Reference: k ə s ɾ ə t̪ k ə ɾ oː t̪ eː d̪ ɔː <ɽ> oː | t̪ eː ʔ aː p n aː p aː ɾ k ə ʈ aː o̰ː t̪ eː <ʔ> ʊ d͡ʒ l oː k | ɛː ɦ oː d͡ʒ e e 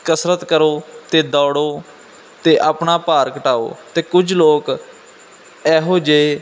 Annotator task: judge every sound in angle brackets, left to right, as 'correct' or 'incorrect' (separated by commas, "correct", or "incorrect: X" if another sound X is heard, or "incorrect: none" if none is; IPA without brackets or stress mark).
correct, incorrect: k